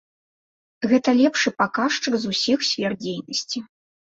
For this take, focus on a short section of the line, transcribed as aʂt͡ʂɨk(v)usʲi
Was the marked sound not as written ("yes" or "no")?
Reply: yes